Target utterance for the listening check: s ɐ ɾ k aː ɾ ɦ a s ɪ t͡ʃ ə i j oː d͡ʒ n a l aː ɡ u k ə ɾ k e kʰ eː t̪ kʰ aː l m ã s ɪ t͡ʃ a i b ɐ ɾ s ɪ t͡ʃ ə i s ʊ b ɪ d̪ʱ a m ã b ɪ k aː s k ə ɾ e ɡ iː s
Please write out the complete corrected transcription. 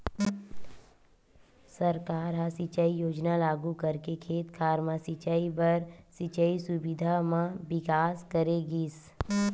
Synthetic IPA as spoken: s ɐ ɾ k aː ɾ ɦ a s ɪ t͡ʃ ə i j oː d͡ʒ n a l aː ɡ u k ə ɾ k e kʰ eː t̪ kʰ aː ɾ m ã s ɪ t͡ʃ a i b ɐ ɾ s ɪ t͡ʃ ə i s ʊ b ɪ d̪ʱ a m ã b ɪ k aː s k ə ɾ e ɡ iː s